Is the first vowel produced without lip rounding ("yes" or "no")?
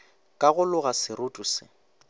yes